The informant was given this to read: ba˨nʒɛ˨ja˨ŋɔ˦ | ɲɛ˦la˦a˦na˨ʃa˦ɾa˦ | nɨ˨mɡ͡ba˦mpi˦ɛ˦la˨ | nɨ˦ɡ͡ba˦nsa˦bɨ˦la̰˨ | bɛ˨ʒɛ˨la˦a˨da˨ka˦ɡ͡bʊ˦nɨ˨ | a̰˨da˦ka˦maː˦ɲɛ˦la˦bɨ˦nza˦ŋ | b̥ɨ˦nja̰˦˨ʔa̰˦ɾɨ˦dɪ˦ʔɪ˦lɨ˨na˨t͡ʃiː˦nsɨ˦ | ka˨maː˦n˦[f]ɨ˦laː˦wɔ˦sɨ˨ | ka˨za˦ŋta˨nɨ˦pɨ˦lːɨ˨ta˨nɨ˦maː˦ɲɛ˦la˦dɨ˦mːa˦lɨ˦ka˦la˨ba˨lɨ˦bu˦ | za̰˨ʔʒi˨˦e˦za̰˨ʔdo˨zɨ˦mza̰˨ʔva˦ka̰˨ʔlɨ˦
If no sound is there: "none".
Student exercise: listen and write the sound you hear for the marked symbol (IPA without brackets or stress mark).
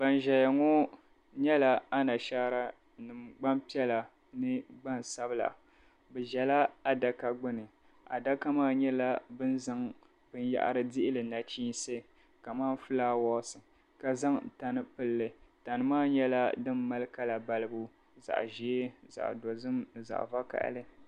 f